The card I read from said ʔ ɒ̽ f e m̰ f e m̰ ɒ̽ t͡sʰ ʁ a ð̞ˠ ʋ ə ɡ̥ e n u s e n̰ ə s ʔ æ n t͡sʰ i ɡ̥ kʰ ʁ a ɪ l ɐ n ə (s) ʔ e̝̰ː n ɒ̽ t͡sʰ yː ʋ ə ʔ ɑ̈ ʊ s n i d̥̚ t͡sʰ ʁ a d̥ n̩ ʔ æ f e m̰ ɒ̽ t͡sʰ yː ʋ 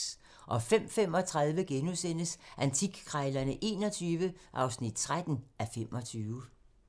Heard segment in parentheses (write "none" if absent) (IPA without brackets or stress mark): none